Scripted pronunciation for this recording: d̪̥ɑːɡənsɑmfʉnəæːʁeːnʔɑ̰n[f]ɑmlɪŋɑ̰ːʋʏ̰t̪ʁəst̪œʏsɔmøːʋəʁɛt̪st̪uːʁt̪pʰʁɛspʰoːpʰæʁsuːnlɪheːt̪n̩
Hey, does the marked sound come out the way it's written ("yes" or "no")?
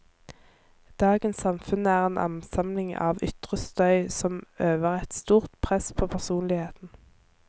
no